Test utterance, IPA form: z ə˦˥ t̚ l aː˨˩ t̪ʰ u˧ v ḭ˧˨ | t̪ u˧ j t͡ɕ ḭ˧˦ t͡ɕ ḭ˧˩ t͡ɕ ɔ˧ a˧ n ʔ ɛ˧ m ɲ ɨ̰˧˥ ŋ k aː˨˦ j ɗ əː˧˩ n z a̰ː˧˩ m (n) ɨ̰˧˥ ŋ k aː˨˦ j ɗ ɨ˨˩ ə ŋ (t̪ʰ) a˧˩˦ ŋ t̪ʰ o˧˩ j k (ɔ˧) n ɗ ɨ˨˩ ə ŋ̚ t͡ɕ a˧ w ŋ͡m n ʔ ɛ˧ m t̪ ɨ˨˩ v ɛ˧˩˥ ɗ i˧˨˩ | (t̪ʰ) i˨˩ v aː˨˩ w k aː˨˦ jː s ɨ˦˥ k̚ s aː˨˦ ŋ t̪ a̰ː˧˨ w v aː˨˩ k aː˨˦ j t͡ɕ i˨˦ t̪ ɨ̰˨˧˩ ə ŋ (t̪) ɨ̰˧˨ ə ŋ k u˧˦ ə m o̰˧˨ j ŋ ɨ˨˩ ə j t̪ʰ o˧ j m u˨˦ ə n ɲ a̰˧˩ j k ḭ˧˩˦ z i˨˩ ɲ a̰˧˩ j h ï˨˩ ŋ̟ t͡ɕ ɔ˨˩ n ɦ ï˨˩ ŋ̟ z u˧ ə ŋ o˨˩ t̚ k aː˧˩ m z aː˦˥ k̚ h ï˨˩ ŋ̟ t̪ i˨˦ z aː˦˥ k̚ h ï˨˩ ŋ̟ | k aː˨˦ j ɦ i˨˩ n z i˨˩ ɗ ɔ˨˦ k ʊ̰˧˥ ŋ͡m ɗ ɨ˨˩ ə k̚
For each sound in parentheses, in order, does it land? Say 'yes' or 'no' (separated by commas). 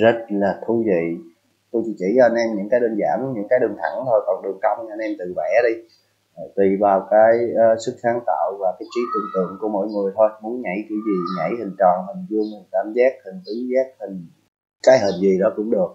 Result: no, yes, no, no, yes